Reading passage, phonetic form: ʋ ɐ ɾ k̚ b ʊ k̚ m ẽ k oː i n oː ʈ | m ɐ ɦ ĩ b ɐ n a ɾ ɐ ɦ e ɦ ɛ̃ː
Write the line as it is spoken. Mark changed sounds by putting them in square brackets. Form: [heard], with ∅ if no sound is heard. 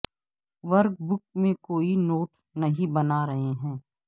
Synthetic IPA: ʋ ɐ ɾ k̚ b ʊ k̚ m ẽ k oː i n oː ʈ | [n] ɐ ɦ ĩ b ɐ n a ɾ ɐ ɦ e ɦ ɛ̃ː